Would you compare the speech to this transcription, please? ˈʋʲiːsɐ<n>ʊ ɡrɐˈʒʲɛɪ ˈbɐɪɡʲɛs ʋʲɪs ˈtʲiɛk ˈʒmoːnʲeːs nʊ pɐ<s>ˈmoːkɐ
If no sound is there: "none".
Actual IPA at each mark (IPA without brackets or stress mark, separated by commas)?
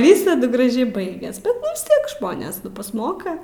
d, s